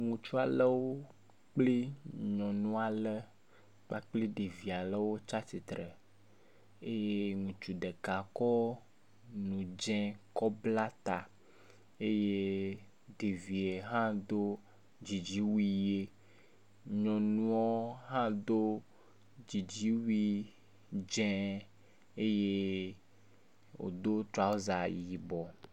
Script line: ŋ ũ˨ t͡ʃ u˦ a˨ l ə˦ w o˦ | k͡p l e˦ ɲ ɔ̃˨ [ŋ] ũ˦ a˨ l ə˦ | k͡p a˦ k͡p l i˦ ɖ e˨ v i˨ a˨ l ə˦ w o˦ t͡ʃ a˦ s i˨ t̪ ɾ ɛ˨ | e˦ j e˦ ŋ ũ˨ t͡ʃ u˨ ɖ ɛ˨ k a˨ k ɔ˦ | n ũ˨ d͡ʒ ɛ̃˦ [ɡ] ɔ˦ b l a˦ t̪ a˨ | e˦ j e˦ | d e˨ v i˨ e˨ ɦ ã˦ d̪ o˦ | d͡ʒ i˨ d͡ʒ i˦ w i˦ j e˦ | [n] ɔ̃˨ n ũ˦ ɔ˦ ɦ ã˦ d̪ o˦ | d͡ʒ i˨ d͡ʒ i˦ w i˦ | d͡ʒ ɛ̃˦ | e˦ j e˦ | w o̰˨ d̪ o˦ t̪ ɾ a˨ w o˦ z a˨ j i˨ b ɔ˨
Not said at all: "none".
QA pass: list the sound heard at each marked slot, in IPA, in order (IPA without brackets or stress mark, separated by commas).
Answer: n, k, ɲ